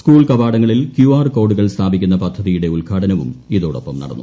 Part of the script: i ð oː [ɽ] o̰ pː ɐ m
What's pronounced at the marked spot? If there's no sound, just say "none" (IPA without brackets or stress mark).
ɽ